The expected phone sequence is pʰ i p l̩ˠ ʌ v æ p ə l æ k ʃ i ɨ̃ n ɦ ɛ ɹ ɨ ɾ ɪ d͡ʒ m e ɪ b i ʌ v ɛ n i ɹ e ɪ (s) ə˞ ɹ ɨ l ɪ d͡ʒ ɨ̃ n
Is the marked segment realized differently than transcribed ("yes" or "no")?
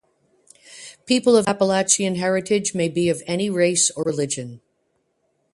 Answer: no